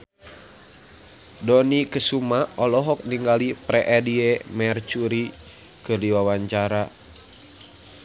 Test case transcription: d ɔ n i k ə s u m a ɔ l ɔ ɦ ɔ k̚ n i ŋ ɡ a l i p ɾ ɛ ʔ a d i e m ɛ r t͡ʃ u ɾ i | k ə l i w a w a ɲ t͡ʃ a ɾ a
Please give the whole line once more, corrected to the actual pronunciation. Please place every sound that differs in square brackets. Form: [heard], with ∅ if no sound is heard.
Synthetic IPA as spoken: d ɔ n i k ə s u m a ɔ l ɔ ɦ ɔ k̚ n i ŋ ɡ a l i p ɾ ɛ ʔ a d i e m ɛ r t͡ʃ u ɾ i | k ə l i w a w a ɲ t͡ʃ a ɾ a